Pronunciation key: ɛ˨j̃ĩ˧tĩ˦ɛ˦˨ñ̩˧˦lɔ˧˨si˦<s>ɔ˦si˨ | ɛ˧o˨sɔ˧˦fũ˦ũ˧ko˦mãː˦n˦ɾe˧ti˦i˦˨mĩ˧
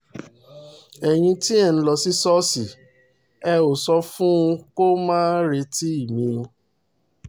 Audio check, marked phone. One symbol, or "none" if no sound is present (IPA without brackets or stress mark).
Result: s